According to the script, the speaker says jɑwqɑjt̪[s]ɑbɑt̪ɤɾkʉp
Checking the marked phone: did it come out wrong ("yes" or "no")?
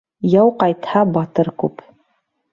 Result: yes